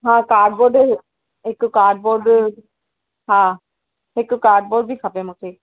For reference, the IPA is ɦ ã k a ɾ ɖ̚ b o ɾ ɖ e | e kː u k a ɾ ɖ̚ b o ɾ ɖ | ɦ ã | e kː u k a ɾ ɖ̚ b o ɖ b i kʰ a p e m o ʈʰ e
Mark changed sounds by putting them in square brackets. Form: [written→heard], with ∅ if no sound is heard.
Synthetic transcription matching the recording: ɦ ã k a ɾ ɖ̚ b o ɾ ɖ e | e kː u k a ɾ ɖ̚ b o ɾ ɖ | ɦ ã | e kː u k a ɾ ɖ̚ b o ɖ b i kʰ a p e m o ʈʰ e